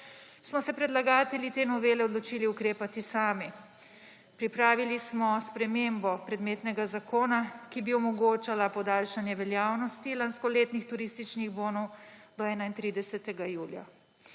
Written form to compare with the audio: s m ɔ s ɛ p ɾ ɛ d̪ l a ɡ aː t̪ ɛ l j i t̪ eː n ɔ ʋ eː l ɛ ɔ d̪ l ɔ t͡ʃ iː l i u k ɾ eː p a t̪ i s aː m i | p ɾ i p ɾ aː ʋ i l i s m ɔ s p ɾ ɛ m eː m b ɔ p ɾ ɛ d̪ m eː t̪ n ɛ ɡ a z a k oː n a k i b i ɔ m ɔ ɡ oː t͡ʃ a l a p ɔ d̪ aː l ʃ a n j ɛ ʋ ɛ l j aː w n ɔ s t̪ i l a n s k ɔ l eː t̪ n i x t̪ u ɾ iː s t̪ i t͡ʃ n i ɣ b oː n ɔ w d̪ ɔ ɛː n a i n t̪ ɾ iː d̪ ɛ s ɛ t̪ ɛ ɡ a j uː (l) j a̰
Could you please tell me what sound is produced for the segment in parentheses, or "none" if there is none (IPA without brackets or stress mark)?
l